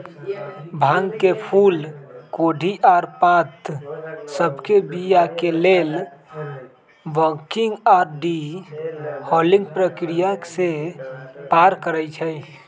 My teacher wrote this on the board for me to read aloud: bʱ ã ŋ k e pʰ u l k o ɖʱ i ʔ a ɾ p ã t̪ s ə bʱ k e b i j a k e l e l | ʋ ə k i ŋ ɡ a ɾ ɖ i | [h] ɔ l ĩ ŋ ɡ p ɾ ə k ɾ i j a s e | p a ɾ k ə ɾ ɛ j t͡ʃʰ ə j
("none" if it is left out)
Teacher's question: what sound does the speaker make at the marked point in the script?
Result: h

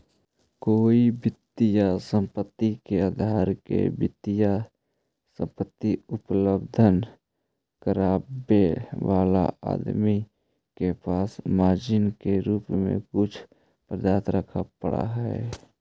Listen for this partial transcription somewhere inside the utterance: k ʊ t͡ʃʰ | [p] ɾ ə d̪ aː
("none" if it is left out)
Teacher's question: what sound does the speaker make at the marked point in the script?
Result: p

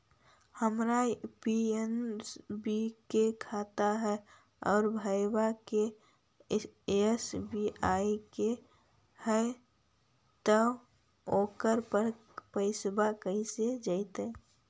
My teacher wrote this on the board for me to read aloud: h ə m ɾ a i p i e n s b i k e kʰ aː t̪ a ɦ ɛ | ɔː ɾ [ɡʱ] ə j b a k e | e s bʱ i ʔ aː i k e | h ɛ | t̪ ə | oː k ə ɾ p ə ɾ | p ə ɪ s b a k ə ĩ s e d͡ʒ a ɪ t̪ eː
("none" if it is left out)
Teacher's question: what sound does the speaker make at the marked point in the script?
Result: bʱ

